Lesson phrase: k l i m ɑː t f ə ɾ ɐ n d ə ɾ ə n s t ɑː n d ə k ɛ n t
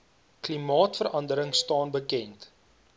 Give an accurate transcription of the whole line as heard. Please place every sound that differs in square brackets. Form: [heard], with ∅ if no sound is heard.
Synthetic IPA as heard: k l i m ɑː t f ə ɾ ɐ n d ə ɾ ə [ŋ] s t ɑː n [b] ə k ɛ n t